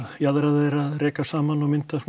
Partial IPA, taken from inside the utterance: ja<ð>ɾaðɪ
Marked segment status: correct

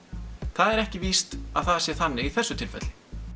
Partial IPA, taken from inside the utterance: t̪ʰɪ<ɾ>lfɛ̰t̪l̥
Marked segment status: incorrect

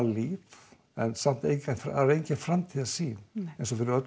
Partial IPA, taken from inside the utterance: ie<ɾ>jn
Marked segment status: incorrect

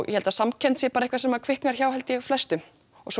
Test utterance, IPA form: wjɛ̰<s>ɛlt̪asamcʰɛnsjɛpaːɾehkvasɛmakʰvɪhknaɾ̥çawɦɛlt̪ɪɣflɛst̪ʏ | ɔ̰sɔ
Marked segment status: incorrect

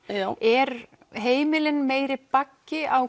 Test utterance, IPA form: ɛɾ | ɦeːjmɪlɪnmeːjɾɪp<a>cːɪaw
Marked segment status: correct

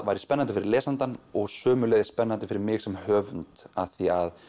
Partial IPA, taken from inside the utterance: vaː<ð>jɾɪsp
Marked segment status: incorrect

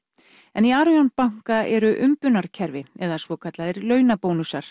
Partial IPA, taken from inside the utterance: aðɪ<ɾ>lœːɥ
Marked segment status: correct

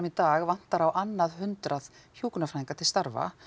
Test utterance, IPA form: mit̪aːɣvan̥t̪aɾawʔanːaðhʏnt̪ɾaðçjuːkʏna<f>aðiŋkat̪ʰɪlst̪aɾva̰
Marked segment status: correct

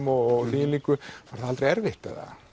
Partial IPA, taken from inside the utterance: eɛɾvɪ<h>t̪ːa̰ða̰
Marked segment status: correct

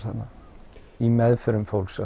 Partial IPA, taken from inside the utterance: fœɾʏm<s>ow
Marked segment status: incorrect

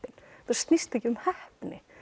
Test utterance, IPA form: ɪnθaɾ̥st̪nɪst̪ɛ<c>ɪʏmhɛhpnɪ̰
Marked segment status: correct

